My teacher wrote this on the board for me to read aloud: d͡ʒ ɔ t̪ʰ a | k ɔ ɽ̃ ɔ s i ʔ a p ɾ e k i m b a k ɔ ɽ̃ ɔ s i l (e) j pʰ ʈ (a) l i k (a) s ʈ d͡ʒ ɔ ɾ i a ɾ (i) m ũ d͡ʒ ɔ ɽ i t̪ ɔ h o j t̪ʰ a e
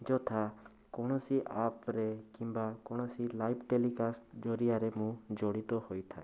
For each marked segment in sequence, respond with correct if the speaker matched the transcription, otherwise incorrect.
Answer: incorrect: a, incorrect: e, correct, incorrect: e

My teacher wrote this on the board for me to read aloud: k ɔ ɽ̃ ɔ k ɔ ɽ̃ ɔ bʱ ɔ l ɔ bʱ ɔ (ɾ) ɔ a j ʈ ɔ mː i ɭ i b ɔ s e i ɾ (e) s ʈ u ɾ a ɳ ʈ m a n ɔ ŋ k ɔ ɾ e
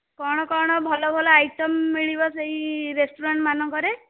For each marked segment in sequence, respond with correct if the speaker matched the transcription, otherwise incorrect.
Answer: incorrect: l, correct

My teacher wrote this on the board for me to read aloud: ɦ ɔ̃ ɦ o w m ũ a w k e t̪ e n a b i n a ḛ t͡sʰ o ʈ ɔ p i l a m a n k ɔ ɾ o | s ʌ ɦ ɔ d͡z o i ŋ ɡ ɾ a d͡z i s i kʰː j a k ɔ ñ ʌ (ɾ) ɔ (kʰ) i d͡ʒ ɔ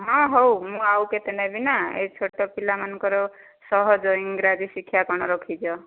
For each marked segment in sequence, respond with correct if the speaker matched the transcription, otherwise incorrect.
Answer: correct, correct

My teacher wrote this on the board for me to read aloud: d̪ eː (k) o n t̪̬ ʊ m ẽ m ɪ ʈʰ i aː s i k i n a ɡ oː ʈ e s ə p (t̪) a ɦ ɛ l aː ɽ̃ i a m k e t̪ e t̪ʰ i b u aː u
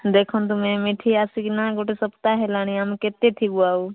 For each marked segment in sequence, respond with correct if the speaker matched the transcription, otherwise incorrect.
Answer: incorrect: kʰ, correct

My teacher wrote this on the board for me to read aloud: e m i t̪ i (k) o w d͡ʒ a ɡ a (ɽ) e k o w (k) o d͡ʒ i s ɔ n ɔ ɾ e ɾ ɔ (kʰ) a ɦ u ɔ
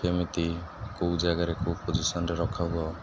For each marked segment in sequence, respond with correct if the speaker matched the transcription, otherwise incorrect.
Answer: correct, incorrect: ɾ, incorrect: p, correct

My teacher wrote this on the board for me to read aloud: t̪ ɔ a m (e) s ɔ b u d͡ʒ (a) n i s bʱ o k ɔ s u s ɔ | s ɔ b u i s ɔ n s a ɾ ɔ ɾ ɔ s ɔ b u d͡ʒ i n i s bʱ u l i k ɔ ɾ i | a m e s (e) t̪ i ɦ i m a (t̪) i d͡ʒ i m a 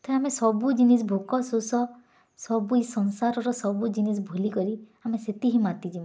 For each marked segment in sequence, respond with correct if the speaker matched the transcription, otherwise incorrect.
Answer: correct, incorrect: i, correct, correct

